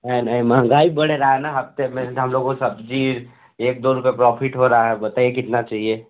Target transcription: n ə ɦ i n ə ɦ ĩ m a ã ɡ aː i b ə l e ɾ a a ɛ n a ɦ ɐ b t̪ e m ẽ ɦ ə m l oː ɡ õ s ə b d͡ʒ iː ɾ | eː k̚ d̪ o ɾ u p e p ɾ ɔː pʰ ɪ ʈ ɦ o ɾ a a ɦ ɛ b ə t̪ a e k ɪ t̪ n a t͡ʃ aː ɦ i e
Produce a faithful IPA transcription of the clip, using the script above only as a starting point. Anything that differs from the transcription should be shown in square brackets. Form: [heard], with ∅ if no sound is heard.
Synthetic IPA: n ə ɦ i n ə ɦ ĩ m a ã ɡ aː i b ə [ɽ] e ɾ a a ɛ n a ɦ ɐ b t̪ e m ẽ ɦ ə m l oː ɡ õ s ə b d͡ʒ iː ɾ | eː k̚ d̪ o ɾ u p e p ɾ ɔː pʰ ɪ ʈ ɦ o ɾ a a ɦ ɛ b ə t̪ a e k ɪ t̪ n a t͡ʃ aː ɦ i e